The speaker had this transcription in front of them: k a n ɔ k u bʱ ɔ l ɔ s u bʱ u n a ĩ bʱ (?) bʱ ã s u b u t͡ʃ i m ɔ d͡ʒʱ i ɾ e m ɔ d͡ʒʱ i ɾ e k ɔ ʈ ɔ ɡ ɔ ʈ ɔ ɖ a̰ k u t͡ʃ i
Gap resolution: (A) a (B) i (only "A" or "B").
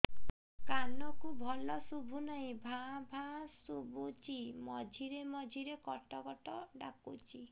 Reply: A